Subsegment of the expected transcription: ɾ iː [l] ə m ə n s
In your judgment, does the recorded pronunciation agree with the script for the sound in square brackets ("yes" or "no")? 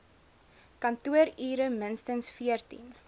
no